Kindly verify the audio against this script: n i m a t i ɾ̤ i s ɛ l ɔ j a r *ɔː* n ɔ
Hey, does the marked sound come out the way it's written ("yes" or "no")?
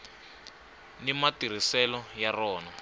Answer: yes